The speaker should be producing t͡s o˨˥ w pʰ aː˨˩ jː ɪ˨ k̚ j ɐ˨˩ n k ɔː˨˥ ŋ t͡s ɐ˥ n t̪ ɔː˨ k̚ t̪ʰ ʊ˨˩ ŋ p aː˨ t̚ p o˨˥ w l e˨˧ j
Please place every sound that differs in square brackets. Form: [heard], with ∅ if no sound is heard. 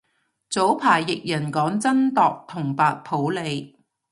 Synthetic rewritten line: t͡s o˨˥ w pʰ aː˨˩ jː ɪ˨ k̚ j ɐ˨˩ n k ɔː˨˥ ŋ t͡s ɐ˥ n t̪ ɔː˨ k̚ t̪ʰ ʊ˨˩ ŋ p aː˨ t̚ [pʰ] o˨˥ w l e˨˧ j